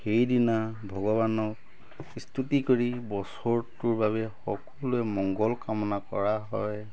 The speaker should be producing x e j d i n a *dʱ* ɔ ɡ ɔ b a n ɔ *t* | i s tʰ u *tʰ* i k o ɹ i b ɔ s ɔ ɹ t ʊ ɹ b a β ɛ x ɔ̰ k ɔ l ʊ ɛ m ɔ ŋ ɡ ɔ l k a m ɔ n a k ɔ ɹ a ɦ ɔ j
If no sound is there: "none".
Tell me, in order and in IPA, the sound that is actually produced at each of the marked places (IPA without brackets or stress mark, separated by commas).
bʱ, k, t